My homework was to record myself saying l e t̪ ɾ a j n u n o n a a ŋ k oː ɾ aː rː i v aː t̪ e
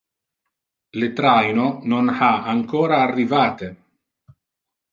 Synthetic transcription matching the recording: l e t̪ ɾ a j n o n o n a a ŋ k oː ɾ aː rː i v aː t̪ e